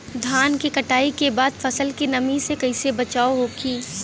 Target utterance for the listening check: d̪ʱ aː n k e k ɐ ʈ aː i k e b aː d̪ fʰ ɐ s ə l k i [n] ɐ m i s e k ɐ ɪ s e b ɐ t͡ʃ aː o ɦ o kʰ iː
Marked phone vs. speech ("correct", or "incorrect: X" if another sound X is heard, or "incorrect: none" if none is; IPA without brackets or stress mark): correct